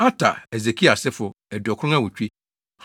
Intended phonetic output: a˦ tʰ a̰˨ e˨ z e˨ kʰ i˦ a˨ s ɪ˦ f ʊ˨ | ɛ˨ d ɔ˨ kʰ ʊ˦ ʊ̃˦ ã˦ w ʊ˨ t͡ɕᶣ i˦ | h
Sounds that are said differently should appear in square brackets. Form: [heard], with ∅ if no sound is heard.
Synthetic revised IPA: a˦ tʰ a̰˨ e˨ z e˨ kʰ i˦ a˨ s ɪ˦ f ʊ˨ | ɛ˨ d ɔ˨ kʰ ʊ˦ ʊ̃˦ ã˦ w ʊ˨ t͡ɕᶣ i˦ | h